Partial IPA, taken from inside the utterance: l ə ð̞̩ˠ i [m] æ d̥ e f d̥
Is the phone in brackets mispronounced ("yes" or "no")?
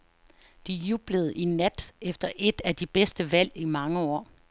yes